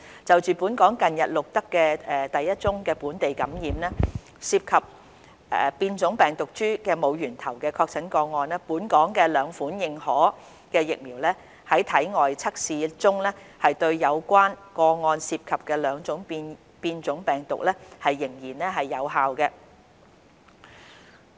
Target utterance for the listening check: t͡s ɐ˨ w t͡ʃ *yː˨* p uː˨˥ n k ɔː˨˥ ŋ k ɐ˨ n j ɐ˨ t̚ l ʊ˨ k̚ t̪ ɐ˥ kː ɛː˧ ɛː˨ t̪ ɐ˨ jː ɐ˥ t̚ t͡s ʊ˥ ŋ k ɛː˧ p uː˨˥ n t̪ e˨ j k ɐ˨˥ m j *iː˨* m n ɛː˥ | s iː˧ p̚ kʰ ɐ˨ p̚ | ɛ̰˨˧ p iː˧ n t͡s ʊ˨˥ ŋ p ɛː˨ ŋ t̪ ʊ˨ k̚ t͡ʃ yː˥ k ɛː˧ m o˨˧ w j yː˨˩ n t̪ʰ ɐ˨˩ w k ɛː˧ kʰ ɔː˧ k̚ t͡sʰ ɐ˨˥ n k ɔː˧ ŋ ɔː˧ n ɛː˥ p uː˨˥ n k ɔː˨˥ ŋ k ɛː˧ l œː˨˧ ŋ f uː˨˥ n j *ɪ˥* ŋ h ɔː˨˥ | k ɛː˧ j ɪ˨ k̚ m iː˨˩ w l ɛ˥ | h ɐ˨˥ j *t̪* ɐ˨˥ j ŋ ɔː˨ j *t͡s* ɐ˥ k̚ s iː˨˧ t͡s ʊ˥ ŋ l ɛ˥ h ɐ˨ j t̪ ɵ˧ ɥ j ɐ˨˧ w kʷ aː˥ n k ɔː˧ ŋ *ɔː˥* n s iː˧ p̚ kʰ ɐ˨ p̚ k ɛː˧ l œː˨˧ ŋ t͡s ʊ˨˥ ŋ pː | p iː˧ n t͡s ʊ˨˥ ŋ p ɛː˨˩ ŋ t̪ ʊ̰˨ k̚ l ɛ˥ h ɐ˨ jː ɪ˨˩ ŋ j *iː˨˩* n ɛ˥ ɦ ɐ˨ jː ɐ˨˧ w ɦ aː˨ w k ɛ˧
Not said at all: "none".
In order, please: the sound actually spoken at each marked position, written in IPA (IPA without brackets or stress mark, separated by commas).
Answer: yː˨, iː˨, ɪ˨, t̪ʰ, t͡sʰ, ɔː˧, iː˨˩